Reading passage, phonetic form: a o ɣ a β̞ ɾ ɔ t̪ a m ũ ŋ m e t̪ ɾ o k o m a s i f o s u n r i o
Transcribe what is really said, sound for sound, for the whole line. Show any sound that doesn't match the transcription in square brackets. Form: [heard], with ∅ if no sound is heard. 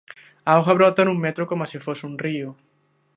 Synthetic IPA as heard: a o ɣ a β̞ ɾ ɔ t̪ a [n] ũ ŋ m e t̪ ɾ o k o m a s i f o s u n r i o